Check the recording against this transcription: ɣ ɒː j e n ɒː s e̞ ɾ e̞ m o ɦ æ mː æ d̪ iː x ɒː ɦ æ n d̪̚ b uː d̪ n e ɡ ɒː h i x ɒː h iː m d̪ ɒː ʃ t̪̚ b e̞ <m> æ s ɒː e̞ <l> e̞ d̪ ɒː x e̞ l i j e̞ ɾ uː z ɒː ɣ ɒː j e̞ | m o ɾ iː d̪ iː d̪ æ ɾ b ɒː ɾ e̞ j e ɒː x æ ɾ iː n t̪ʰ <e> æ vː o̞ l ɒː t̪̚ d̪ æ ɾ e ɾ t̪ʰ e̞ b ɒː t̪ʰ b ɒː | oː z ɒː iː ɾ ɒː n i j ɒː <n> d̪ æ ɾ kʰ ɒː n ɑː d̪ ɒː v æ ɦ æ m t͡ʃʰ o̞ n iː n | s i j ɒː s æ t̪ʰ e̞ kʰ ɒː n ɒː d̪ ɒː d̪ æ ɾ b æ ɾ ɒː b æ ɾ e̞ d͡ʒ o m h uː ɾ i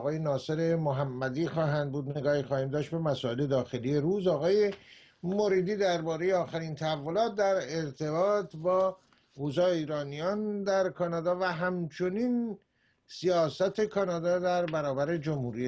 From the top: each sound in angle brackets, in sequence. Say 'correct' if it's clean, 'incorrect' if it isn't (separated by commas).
correct, correct, incorrect, correct